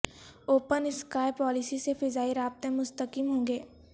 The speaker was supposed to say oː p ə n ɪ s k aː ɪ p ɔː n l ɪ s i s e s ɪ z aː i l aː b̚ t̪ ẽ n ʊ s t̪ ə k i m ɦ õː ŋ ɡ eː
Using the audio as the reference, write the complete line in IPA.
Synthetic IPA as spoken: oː p ə n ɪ s k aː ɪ p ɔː l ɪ s i s e f ɪ z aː i ɾ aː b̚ t̪ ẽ m ʊ s t̪ ə k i m ɦ õː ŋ ɡ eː